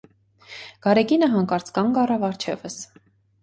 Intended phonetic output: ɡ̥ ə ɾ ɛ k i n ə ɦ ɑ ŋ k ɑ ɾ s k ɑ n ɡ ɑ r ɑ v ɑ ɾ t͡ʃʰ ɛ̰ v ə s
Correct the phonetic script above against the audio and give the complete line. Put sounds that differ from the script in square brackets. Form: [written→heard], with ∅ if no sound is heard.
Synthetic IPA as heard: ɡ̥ [ə→ɑ] ɾ ɛ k i n ə ɦ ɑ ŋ k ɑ ɾ [s→t͡s] k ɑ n ɡ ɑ r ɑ v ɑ ɾ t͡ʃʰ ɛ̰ v ə s